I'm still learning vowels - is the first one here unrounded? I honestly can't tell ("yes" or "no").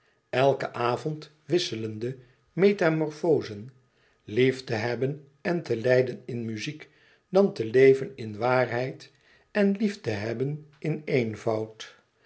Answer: yes